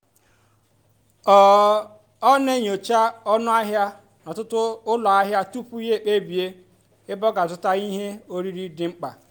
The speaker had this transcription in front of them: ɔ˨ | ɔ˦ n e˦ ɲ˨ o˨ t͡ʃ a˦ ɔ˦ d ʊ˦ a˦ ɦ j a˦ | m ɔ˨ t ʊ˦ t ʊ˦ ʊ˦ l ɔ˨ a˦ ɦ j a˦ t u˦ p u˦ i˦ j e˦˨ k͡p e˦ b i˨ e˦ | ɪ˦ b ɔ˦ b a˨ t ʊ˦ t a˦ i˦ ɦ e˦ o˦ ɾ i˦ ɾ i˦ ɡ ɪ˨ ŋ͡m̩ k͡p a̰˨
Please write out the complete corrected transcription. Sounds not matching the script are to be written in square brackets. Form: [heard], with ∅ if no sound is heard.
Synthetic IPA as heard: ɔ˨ | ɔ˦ n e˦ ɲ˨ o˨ t͡ʃ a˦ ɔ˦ [n] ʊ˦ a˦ ɦ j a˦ | [n] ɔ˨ t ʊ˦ t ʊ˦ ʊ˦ l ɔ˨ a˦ ɦ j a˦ t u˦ p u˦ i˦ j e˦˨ k͡p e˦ b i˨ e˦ | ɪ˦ b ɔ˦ [ɡ] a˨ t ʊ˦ t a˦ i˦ ɦ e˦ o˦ ɾ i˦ ɾ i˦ [d] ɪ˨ ŋ͡m̩ k͡p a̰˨